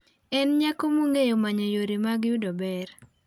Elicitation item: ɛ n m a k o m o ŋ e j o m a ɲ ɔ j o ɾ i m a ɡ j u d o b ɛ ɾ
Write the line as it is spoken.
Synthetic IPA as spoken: ɛ n ɲ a k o m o ŋ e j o m a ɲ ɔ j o ɾ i m a ɡ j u d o b ɛ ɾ

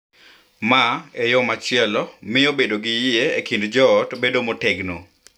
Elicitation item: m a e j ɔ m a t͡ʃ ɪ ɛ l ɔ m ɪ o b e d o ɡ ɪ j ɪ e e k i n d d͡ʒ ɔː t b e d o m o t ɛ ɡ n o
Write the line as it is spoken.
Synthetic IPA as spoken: m a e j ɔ m a t͡ʃ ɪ ɛ l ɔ m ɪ o b e d o ɡ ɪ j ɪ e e k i n d d͡ʒ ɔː t b e d o m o t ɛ ɡ n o

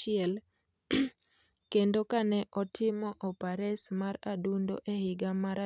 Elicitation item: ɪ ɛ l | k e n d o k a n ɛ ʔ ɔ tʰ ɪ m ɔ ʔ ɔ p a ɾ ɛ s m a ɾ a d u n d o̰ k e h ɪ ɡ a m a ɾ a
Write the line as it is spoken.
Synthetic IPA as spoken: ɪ ɛ l | k e n d o k a n ɛ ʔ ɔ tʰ ɪ m ɔ ʔ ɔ p a ɾ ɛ s m a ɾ a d u n d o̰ ʔ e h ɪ ɡ a m a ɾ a

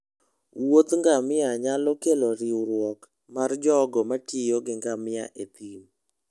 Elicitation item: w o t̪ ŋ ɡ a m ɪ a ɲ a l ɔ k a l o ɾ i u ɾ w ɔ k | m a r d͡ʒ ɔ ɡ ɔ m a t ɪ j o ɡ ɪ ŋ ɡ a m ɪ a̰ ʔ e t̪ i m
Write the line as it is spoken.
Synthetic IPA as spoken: w o t̪ ŋ ɡ a m ɪ a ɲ a l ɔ k e l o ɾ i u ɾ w ɔ k | m a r d͡ʒ ɔ ɡ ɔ m a t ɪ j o ɡ ɪ ŋ ɡ a m ɪ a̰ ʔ e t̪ i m

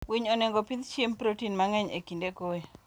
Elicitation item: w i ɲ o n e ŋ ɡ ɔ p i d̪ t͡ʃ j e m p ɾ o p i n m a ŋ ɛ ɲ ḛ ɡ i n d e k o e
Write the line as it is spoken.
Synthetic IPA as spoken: w i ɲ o n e ŋ ɡ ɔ p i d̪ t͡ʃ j e m p ɾ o t i n m a ŋ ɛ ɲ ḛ k i n d e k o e

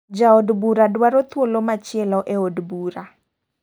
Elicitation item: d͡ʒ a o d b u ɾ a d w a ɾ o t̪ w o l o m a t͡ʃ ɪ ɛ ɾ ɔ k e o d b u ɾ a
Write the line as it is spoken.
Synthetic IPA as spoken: d͡ʒ a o d b u ɾ a d w a ɾ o t̪ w o l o m a t͡ʃ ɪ ɛ l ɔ ʔ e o d b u ɾ a

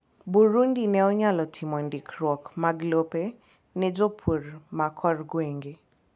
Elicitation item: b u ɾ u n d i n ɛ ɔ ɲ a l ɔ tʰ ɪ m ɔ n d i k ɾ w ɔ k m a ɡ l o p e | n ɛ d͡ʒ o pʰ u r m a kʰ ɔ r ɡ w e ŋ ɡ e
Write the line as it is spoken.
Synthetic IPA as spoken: b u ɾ u n d i n ɛ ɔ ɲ a l ɔ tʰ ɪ m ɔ n d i k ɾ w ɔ k m a ɡ l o p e | n ɛ d͡ʒ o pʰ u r m a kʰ ɔ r ɡ w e ŋ ɡ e

